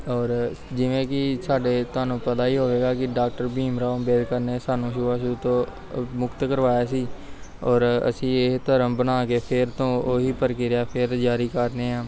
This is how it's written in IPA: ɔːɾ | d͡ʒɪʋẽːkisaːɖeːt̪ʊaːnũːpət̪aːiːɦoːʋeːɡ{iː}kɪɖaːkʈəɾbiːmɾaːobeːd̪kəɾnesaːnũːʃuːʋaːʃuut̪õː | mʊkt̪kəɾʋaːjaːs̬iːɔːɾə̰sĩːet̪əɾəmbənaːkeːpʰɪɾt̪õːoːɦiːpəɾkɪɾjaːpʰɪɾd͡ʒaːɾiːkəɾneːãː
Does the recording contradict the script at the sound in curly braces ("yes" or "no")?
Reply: yes